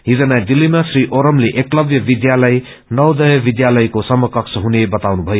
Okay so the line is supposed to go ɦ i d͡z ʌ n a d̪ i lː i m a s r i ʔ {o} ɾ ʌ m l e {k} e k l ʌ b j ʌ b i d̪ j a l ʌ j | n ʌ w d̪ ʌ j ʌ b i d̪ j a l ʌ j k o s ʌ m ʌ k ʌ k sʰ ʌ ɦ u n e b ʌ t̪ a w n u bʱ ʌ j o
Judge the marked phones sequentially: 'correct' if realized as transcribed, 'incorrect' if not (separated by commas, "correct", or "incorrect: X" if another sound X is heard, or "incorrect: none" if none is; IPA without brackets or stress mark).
correct, incorrect: ʔ